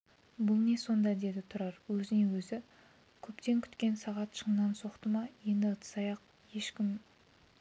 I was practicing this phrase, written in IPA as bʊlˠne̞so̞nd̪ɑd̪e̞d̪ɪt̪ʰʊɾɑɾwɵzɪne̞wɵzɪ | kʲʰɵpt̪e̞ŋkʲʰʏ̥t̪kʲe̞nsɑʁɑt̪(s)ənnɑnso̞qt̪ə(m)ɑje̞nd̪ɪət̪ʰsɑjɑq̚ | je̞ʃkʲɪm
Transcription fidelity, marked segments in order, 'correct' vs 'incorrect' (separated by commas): incorrect, correct